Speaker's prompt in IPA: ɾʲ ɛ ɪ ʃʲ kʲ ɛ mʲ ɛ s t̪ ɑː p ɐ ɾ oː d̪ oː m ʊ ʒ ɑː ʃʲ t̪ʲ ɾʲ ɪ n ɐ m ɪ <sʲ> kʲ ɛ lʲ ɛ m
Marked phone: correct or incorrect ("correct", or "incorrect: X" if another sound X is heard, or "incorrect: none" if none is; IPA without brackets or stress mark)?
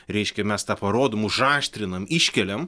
incorrect: ʃʲ